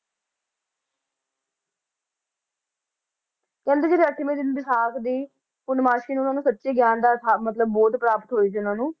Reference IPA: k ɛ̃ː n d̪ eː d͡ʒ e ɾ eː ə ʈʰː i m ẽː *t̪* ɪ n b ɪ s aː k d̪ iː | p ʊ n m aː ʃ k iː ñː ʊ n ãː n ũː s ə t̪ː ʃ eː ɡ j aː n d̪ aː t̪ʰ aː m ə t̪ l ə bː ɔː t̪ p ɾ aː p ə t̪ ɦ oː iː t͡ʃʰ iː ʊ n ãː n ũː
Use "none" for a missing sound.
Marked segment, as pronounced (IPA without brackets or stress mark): d̪